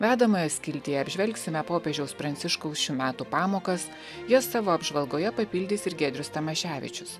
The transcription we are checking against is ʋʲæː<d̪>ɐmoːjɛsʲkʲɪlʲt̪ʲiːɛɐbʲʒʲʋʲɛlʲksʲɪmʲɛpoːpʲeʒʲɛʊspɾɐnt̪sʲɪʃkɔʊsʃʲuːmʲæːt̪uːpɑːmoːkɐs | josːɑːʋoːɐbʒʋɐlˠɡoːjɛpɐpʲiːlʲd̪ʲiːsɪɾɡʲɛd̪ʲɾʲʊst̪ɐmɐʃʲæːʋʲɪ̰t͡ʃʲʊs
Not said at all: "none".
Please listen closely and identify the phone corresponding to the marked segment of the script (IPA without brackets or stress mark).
d̪